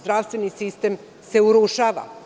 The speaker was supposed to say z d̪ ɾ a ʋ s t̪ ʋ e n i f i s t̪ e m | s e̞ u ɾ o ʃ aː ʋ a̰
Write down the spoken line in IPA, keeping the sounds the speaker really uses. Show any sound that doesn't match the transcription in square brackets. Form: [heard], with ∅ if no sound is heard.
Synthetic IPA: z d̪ ɾ a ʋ s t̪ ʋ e n i [s] i s t̪ e m | s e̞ u ɾ [u] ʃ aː ʋ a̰